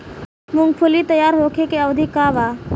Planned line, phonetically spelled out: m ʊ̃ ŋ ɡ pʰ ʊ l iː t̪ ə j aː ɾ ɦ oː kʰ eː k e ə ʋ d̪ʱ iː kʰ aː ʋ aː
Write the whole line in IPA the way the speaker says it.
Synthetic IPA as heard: m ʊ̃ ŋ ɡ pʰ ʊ l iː t̪ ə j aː ɾ ɦ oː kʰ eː k e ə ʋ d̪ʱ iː k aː ʋ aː